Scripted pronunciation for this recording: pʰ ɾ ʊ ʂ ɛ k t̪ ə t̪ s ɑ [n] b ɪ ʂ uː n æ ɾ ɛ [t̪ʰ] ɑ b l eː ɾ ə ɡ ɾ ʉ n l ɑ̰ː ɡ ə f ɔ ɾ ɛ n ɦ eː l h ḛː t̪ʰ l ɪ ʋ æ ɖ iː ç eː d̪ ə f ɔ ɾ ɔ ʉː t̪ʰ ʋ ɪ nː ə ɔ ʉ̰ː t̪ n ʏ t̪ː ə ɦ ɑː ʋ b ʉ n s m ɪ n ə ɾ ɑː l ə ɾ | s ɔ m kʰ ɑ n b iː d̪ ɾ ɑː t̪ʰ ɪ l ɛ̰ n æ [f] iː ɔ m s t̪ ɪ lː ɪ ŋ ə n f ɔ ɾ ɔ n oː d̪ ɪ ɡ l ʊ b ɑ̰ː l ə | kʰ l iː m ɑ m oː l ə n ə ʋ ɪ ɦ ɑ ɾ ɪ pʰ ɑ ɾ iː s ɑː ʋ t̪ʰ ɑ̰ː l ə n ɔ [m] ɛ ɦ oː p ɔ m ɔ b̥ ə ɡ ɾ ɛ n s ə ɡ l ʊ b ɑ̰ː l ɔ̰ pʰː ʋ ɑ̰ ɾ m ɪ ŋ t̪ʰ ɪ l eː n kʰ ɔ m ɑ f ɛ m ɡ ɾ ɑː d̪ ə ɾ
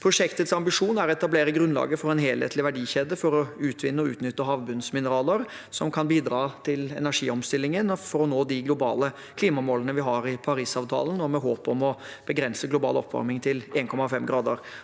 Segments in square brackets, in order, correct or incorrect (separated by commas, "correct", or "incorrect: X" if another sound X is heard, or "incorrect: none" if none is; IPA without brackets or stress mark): incorrect: m, incorrect: t̪, incorrect: ʂ, correct